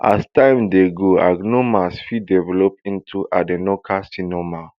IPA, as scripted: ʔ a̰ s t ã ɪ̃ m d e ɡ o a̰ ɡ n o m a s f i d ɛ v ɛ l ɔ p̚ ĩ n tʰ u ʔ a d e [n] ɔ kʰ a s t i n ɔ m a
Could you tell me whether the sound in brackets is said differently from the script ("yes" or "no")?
no